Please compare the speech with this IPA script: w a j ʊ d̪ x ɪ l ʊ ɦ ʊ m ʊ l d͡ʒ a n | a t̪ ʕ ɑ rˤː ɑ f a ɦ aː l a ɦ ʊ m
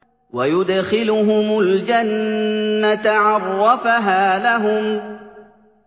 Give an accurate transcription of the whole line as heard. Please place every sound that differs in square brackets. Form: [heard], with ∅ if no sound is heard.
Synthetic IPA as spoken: w a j ʊ d̪ x ɪ l ʊ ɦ ʊ m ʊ l d͡ʒ a [nː] | a t̪ ʕ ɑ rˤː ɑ f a ɦ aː l a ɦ ʊ m